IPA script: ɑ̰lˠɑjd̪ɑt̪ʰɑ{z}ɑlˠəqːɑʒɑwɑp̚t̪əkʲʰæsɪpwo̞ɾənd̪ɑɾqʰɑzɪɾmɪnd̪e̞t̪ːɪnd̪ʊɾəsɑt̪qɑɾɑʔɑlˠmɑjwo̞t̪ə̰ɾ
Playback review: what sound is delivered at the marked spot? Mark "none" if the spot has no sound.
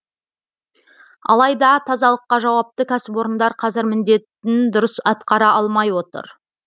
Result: z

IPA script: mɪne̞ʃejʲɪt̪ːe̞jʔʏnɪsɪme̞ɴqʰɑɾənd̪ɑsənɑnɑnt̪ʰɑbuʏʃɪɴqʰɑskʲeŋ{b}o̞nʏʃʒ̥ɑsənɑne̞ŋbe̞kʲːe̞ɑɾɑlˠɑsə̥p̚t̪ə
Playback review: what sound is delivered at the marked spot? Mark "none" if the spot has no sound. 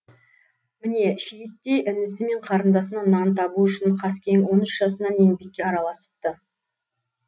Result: w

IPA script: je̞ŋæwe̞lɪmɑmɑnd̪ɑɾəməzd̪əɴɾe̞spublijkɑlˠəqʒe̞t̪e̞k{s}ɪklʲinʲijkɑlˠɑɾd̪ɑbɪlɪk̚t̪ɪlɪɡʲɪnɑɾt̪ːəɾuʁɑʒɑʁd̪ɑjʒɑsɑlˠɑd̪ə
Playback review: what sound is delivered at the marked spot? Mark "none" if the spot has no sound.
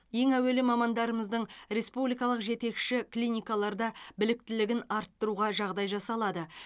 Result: ʃ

